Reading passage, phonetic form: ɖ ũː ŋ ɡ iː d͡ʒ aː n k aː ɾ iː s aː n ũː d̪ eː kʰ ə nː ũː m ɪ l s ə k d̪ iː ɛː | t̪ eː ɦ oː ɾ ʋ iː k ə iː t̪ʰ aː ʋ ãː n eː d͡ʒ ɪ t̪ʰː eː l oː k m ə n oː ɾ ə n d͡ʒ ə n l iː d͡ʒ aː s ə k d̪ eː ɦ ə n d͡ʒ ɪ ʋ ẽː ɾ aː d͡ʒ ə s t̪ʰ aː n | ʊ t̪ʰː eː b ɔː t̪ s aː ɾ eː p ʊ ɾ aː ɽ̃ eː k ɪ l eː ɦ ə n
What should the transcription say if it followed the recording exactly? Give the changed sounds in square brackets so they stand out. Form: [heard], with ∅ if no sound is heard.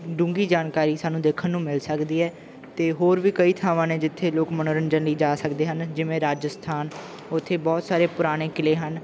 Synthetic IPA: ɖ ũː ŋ ɡ iː d͡ʒ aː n k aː ɾ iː s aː n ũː d̪ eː kʰ ə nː ũː m ɪ l s ə k d̪ iː ɛː | t̪ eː ɦ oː ɾ ʋ iː k ə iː t̪ʰ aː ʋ ãː n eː d͡ʒ ɪ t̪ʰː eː l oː k m ə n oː ɾ ə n d͡ʒ ə n l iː d͡ʒ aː s ə k d̪ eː ɦ ə n d͡ʒ ɪ ʋ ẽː ɾ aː d͡ʒ ə s t̪ʰ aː n | ʊ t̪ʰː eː b ɔː t̪ s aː ɾ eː p ʊ ɾ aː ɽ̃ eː k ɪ l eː ɦ ə n